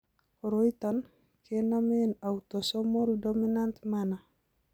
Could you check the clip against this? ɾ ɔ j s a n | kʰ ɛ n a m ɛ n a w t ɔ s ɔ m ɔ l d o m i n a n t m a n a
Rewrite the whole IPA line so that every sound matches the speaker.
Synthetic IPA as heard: ɾ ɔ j t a n | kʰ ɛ n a m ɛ n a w t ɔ s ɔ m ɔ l d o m i n a n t m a n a